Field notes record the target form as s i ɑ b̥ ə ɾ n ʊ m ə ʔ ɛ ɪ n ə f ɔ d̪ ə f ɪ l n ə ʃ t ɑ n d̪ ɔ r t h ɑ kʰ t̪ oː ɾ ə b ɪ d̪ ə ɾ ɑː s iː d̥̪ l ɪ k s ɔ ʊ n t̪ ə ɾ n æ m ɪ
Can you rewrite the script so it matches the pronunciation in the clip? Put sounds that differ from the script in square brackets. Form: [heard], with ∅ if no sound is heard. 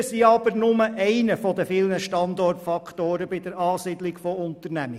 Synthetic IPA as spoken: s i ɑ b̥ ə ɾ n ʊ m ə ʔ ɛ ɪ n ə f ɔ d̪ ə f ɪ l n ə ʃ t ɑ n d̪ ɔ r t [f] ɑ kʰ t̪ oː ɾ ə b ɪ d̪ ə ɾ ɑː s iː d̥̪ l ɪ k [f] ɔ ʊ n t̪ ə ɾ n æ m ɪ